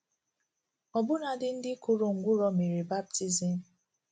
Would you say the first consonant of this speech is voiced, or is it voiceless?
voiced